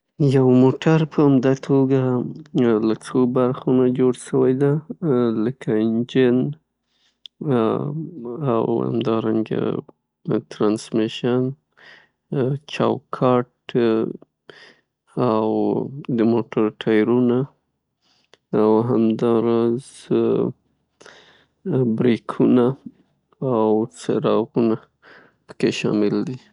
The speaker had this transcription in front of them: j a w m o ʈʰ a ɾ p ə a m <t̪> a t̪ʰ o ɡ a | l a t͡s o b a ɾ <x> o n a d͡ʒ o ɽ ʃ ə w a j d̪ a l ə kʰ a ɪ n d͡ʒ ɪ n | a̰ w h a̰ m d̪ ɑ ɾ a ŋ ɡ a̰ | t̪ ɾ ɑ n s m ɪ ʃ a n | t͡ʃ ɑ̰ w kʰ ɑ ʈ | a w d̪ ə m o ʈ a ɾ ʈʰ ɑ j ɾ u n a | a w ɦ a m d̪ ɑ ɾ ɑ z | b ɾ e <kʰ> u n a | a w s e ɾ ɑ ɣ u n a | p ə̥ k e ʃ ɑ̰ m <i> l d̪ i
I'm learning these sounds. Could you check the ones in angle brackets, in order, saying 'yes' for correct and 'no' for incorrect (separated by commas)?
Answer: no, yes, yes, no